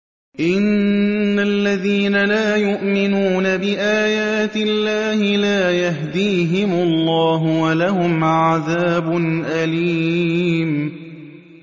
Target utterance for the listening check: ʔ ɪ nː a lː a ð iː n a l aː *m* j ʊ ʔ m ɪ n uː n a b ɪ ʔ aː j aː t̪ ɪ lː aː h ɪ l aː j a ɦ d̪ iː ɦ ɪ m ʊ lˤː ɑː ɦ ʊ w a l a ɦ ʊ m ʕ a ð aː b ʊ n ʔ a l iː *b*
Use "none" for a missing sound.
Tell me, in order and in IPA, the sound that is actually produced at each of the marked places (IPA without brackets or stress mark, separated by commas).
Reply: none, m